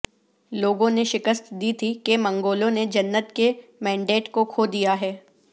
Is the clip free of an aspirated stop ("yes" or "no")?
no